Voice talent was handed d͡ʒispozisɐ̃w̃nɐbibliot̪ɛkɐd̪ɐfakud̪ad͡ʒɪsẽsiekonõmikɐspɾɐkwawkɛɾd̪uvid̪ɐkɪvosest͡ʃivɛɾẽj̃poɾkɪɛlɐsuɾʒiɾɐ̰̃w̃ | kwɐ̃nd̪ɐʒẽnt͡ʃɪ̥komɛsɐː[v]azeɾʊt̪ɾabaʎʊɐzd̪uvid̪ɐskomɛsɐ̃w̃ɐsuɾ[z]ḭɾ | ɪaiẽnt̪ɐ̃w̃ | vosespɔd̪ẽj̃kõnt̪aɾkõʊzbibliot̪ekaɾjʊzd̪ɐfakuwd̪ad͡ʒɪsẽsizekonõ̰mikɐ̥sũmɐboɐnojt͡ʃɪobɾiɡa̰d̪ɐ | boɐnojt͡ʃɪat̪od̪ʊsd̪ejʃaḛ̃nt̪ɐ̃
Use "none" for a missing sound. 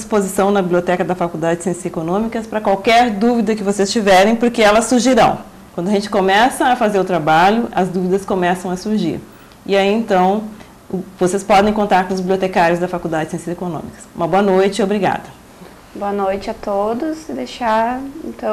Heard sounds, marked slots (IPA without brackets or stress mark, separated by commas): f, ʒ